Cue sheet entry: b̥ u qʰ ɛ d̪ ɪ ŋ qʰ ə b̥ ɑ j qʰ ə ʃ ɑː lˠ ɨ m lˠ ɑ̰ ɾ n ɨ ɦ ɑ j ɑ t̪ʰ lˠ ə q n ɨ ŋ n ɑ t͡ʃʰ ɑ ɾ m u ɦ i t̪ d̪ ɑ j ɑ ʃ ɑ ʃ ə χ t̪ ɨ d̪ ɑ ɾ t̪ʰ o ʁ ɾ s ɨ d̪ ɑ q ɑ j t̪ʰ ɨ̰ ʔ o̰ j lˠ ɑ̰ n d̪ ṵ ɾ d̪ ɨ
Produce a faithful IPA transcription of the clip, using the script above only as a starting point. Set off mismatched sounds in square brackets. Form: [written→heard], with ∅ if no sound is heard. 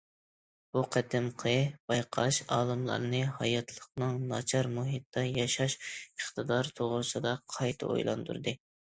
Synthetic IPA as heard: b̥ u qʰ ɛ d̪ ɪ [ŋ→m] qʰ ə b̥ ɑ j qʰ [ə→ɑ] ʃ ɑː lˠ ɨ m lˠ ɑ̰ ɾ n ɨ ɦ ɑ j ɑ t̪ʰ lˠ ə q n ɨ ŋ n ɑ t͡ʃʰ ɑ ɾ m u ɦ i t̪ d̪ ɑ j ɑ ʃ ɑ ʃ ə χ t̪ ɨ d̪ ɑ ɾ t̪ʰ o ʁ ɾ s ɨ d̪ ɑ [q→qʰ] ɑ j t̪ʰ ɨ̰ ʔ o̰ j lˠ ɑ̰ n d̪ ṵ ɾ d̪ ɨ